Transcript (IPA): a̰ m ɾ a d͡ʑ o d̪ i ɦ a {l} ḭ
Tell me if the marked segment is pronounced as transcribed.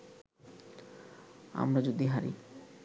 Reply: no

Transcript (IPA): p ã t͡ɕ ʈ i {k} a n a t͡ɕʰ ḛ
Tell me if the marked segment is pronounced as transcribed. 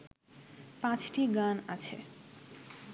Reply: no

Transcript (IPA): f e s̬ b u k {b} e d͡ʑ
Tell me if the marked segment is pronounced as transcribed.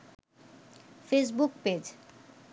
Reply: no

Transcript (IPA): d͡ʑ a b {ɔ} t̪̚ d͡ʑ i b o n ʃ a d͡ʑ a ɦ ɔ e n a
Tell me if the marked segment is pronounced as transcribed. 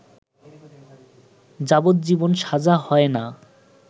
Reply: no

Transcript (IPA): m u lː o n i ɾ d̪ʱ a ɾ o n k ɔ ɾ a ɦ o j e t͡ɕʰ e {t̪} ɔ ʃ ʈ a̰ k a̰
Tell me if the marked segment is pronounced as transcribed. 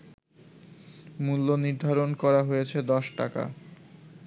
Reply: no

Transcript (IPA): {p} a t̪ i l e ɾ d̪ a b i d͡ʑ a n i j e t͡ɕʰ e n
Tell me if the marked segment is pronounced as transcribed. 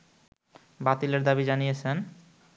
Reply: no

